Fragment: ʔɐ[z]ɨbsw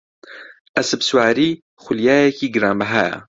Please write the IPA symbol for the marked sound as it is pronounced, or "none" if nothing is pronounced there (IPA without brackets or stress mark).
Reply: s